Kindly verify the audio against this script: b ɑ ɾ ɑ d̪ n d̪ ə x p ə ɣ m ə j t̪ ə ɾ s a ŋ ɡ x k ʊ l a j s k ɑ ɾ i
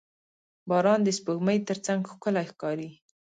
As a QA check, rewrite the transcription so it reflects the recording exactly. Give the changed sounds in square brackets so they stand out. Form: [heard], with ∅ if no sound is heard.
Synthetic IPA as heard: b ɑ ɾ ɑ [∅] n d̪ ə [s] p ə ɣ m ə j t̪ ə ɾ [t͡s] a ŋ ɡ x k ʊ l a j [x] k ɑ ɾ i